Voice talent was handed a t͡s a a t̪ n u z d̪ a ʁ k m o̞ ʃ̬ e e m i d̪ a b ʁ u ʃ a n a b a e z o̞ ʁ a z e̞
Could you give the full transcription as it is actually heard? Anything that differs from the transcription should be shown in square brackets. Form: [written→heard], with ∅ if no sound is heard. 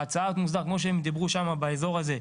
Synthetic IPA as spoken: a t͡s a a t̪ [n→m] u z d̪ a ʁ k m o̞ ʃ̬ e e m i d̪ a b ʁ u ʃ a [n→m] a b a e z o̞ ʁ a z e̞